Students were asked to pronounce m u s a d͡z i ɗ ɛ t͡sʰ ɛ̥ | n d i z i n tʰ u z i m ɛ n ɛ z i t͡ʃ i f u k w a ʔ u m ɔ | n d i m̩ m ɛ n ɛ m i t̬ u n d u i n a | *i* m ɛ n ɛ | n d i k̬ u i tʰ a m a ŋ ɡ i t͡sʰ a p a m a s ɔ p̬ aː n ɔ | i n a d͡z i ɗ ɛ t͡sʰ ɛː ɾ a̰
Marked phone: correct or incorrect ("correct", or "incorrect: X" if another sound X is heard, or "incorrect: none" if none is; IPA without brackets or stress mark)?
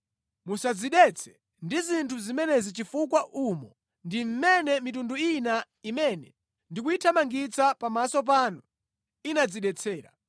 correct